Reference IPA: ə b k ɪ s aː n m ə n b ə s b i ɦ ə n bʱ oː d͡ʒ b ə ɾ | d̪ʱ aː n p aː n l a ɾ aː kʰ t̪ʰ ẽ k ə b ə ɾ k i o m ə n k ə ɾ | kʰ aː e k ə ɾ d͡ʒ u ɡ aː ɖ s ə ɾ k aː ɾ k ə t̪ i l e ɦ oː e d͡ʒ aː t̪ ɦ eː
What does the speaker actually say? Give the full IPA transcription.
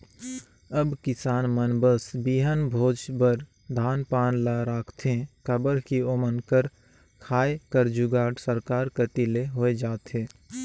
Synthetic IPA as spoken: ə b k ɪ s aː n m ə n b ə s b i ɦ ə n bʱ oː d͡ʒ b ə ɾ | d̪ʱ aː n p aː n l a ɾ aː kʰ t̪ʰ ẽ k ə b ə ɾ k i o m ə n k ə ɾ | kʰ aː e k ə ɾ d͡ʒ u ɡ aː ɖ s ə ɾ k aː ɾ k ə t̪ i l e ɦ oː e d͡ʒ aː t̪ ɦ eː